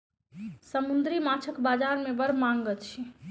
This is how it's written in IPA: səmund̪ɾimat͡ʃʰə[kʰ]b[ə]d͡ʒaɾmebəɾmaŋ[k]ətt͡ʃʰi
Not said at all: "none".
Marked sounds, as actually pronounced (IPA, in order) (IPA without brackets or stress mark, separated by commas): k, a, ɡ